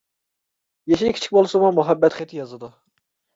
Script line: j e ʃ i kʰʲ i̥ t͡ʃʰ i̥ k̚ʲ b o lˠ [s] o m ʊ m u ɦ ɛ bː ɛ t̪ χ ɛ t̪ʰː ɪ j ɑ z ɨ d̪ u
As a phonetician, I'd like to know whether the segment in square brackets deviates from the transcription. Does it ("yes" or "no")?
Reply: no